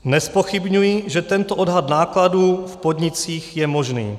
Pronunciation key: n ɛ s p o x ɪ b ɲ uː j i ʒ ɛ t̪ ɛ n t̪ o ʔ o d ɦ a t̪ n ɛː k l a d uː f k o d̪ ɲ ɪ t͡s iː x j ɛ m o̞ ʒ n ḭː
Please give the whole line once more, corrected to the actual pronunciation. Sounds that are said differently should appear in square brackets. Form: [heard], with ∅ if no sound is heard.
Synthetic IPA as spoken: n ɛ s p o x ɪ b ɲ [u] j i ʒ ɛ t̪ ɛ n t̪ o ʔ o d ɦ a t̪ n [aː] k l a d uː f [p] o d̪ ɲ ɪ t͡s iː x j ɛ m o̞ ʒ n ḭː